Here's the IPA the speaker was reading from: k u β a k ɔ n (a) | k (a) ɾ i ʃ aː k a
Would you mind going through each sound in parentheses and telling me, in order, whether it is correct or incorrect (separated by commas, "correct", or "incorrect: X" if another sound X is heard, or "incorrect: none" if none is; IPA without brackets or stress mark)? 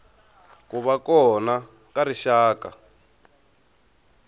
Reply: correct, correct